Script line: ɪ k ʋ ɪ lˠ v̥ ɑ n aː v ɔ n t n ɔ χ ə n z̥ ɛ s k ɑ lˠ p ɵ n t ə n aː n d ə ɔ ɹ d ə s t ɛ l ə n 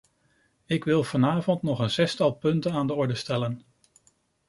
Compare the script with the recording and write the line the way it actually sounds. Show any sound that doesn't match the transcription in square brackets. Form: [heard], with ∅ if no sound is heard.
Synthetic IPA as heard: ɪ k ʋ ɪ lˠ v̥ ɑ n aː v ɔ n t n ɔ χ ə n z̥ ɛ s [t] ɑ lˠ p ɵ n t ə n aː n d ə ɔ ɹ d ə s t ɛ l ə n